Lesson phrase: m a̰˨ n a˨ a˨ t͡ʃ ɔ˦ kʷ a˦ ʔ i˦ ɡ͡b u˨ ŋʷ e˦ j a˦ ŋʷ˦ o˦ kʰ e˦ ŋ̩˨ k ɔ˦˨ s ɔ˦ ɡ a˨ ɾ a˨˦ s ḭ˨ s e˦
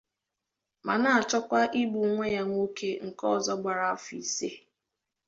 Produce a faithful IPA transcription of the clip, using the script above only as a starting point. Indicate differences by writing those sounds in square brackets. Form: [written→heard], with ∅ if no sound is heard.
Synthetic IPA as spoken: m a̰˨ n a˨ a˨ t͡ʃ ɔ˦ kʷ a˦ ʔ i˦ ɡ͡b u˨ ŋʷ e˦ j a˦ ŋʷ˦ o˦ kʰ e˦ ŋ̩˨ k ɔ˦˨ [s→z] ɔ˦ [ɡ→ɡ͡b] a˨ ɾ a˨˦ [s→f] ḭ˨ s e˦